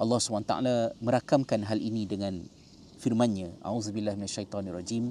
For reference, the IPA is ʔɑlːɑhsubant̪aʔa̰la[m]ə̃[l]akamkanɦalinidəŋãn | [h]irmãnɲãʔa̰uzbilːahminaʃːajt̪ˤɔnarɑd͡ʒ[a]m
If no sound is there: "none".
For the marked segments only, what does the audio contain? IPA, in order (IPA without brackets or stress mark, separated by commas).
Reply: m, ɾ, f, i